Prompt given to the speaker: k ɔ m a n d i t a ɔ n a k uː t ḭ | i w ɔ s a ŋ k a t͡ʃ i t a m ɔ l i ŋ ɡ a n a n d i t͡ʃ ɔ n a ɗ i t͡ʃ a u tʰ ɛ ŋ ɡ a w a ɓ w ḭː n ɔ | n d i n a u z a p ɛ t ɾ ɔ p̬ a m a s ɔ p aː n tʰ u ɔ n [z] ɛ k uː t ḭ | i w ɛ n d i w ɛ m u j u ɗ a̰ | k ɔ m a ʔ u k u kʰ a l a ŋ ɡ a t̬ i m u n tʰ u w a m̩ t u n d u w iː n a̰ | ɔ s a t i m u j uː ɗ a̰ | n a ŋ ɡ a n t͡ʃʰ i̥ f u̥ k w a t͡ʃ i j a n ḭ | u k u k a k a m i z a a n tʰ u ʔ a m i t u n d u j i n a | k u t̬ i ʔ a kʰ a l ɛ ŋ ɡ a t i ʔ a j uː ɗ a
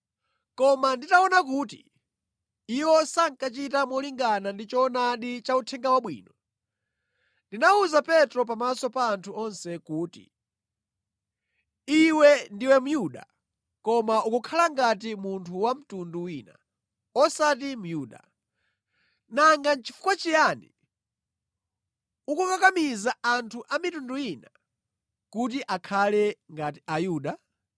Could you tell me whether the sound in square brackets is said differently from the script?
yes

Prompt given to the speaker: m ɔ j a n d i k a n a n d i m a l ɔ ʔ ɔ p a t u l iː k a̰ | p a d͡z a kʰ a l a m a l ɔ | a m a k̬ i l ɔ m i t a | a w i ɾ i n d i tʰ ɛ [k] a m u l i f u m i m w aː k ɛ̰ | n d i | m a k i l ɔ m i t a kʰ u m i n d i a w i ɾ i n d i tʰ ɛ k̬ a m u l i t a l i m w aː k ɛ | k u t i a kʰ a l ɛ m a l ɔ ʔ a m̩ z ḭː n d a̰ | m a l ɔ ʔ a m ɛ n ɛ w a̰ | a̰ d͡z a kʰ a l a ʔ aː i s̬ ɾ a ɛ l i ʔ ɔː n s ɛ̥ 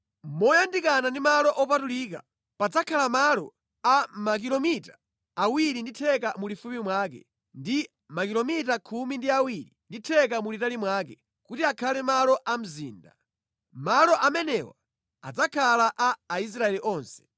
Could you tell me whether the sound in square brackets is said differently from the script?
no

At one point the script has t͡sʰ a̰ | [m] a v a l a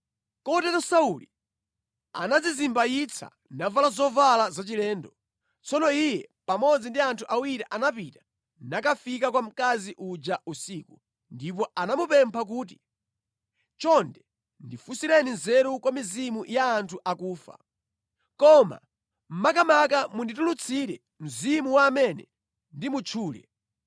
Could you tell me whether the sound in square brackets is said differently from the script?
yes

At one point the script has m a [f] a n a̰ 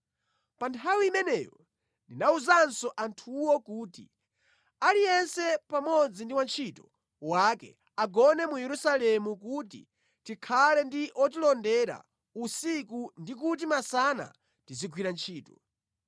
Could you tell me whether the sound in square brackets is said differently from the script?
yes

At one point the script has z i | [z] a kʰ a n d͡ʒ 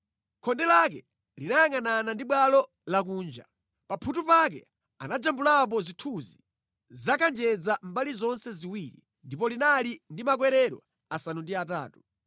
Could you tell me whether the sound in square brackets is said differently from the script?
no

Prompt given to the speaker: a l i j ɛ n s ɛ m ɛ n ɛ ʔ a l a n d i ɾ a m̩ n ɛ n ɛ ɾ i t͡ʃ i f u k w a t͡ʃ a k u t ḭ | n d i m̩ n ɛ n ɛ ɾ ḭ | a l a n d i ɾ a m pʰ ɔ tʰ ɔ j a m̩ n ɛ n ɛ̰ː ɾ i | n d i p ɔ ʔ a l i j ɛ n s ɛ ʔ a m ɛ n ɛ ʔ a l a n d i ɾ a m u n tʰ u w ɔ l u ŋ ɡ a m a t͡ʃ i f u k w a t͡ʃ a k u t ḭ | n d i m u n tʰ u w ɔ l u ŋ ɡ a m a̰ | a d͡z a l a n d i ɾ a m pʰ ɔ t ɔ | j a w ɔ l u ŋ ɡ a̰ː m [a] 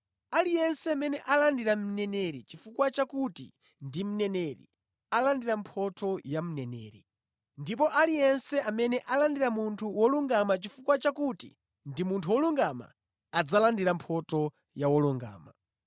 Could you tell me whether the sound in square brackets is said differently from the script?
no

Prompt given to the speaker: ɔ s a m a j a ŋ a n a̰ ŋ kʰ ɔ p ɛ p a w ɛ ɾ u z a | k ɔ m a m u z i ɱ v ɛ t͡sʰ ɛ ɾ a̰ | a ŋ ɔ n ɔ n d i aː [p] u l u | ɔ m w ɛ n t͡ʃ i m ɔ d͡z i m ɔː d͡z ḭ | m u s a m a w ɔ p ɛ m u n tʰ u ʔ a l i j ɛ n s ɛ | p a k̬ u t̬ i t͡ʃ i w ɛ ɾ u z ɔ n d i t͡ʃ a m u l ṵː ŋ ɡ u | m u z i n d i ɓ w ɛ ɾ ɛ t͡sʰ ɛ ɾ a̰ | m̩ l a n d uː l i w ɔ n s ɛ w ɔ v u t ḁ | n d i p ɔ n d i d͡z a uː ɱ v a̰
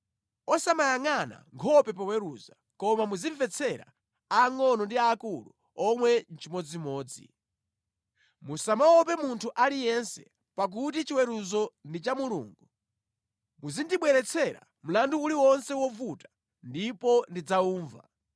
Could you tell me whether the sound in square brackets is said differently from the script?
yes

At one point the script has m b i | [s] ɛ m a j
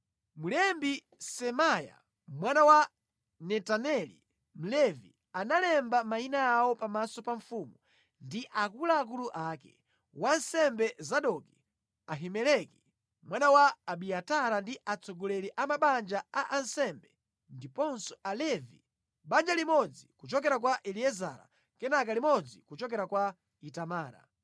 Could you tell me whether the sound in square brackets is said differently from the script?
no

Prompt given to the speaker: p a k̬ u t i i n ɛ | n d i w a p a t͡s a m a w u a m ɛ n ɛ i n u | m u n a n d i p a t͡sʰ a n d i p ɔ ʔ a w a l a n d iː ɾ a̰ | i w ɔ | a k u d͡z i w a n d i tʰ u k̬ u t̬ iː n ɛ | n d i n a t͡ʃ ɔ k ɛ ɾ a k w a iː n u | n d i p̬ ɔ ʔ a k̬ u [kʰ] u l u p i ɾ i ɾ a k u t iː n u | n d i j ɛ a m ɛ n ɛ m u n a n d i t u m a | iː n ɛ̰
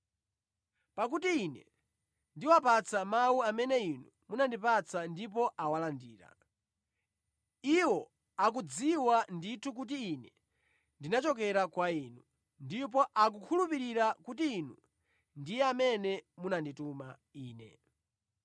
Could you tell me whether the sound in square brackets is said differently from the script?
no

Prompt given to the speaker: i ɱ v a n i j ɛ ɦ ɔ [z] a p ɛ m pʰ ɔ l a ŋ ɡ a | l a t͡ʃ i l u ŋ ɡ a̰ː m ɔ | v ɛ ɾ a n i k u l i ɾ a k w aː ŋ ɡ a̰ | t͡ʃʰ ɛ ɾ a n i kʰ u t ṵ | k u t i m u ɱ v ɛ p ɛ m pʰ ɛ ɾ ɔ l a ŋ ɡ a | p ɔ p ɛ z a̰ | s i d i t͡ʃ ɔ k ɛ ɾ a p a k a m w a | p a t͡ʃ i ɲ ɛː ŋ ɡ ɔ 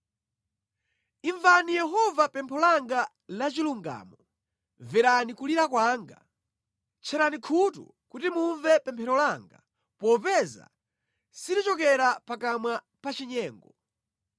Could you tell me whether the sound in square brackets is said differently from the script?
yes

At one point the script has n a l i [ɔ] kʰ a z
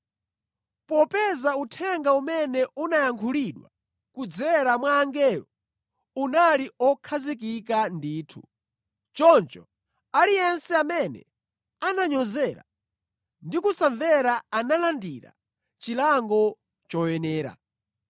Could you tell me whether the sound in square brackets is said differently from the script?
no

